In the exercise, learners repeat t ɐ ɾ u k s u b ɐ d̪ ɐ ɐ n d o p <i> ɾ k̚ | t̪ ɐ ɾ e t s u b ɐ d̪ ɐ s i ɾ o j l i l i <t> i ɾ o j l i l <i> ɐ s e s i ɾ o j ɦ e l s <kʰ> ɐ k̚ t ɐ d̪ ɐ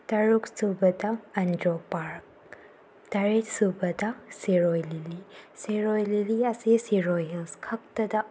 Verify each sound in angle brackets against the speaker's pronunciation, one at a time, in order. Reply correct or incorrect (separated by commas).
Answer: incorrect, incorrect, correct, correct